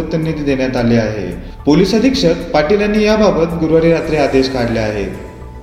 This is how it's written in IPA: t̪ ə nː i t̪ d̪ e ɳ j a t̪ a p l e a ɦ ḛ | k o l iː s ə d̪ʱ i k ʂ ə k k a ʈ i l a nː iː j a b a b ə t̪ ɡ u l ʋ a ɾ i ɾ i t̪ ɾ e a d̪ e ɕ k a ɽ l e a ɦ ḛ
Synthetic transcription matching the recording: t̪ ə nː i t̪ d̪ e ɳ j a t̪ a l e a ɦ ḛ | p o l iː s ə d̪ʱ i k ʂ ə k p a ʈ i l a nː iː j a b a b ə t̪ ɡ u ɾ ʋ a ɾ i ɾ a t̪ ɾ e a d̪ e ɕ k a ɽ l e a ɦ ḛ